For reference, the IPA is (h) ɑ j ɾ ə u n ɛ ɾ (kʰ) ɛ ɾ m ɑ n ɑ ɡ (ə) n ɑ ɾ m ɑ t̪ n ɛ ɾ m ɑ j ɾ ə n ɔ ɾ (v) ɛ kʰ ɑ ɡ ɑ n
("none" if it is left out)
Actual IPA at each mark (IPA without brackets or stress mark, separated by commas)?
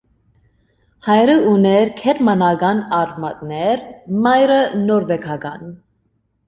h, kʰ, ɑ, v